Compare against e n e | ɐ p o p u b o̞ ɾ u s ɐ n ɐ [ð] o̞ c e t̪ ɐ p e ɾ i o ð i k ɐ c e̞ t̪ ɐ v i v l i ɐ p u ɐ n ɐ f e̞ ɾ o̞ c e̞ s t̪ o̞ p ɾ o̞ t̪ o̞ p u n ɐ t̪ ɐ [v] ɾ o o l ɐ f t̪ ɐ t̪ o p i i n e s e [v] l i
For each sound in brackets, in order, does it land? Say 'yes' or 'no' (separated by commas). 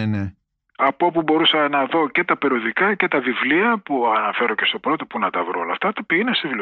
yes, yes, yes